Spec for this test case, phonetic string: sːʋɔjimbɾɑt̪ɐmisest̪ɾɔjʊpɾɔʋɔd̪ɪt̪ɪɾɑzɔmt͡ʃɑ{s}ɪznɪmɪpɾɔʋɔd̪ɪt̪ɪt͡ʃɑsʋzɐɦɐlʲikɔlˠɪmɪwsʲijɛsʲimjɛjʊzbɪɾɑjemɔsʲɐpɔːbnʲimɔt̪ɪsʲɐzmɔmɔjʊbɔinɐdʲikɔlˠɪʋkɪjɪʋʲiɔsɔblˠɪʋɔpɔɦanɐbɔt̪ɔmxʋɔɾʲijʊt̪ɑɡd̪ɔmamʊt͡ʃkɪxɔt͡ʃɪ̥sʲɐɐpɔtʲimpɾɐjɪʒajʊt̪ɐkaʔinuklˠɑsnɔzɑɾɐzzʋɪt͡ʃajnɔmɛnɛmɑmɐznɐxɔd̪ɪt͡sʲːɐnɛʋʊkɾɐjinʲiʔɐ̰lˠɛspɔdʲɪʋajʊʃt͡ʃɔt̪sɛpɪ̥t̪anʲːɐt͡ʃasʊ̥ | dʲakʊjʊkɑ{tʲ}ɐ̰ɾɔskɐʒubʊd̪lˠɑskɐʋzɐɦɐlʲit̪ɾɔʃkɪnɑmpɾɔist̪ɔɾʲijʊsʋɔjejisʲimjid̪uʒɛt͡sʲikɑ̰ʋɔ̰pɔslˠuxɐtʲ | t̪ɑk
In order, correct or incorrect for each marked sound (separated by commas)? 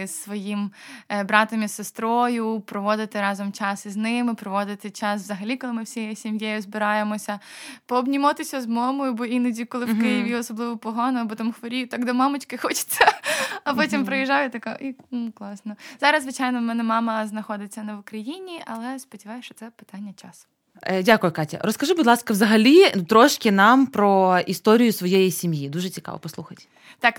correct, correct